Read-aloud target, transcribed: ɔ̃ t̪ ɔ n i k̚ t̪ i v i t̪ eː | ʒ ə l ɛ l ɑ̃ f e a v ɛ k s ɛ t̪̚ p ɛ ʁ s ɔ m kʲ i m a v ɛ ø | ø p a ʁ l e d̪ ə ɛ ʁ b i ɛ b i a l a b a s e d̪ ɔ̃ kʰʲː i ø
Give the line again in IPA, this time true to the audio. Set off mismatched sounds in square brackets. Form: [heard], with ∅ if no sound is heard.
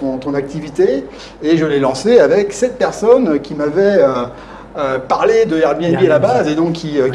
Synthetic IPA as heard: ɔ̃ t̪ [ɔ̃] n [a] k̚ t̪ i v i t̪ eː | ʒ ə l ɛ l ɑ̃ [s] e a v ɛ k s ɛ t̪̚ p ɛ ʁ s ɔ [n] kʲ i m a v ɛ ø | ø p a ʁ l e d̪ ə ɛ ʁ b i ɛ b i a l a b a [z] e d̪ ɔ̃ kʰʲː i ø

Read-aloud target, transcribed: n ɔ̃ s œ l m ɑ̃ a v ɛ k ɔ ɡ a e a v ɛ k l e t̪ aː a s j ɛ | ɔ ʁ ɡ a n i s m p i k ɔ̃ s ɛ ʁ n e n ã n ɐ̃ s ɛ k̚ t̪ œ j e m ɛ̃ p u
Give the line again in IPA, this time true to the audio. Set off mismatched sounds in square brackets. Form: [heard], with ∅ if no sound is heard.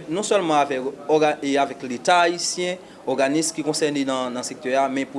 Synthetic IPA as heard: n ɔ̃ s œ l m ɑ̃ a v ɛ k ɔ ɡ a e a v ɛ k l e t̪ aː [i] s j [ɛ̃] | ɔ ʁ ɡ a n i s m [k] i k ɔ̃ s ɛ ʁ n e n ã n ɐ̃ s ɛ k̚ t̪ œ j [a] m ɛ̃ p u

